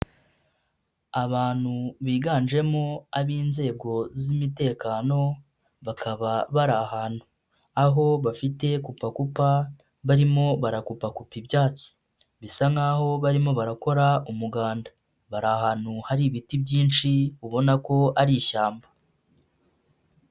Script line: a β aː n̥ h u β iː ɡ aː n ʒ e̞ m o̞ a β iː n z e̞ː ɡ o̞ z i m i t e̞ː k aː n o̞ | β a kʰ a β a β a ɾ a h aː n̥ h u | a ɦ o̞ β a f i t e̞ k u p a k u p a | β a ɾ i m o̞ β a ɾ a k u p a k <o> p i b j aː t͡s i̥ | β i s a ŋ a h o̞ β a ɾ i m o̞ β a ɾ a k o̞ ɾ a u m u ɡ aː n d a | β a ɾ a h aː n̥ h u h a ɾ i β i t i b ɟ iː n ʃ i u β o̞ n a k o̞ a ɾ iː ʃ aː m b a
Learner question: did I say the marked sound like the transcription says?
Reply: no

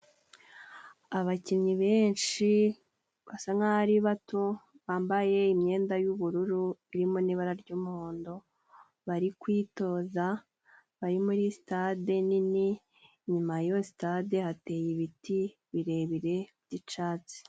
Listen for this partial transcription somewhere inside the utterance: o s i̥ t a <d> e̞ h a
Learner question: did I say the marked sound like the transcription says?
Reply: yes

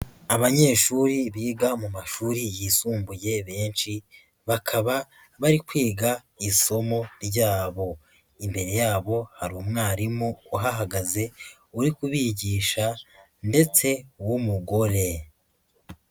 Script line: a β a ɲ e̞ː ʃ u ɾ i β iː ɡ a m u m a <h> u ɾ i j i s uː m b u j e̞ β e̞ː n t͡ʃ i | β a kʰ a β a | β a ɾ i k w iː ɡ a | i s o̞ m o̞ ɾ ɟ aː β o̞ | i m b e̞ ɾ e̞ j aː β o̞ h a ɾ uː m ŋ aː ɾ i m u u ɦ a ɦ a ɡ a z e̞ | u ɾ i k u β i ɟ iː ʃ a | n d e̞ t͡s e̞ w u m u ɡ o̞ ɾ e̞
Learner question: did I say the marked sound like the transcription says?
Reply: no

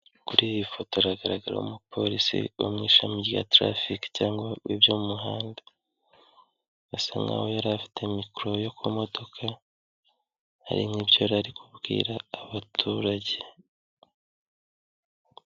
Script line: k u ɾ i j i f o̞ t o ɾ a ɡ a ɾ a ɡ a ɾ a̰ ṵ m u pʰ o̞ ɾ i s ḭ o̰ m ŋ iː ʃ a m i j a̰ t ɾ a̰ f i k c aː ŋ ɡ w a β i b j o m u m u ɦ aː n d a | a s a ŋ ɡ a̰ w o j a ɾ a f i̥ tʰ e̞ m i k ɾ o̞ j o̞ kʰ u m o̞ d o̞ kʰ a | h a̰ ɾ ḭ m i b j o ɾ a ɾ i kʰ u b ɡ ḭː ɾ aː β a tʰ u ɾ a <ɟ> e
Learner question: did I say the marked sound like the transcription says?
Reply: yes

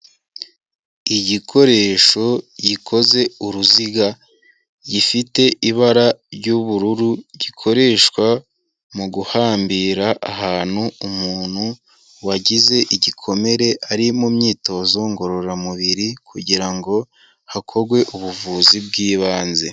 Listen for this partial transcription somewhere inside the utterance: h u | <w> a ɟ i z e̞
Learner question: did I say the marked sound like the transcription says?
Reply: yes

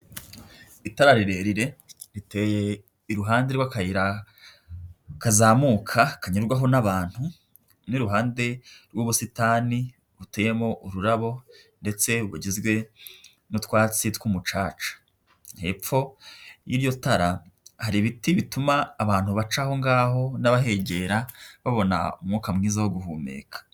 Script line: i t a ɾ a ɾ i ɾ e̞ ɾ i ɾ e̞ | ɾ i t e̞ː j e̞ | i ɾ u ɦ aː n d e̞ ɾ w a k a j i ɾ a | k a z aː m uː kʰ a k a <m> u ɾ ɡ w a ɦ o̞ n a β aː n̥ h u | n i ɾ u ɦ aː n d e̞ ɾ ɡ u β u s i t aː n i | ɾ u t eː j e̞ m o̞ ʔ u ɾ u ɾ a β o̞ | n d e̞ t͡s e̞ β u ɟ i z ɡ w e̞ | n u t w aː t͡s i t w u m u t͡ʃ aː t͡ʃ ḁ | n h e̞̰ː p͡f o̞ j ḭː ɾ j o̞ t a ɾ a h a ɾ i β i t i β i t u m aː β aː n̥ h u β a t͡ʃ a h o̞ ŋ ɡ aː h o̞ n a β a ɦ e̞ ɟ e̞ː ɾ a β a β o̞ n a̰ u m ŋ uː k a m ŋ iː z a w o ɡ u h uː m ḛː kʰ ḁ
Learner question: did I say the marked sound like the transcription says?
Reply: no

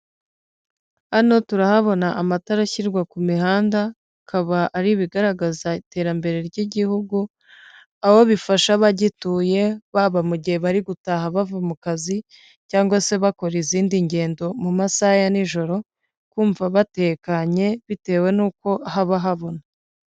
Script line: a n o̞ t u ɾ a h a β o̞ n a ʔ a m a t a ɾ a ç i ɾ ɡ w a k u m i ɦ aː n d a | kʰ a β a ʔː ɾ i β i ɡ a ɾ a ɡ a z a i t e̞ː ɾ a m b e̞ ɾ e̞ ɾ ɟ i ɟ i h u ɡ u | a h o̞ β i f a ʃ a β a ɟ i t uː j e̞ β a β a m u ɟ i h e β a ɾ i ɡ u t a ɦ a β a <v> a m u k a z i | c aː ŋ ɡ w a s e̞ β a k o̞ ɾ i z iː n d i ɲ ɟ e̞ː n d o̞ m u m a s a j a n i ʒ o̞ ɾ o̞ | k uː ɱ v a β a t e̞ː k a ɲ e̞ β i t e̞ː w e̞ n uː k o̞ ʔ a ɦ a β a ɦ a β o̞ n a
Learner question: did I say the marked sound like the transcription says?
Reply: yes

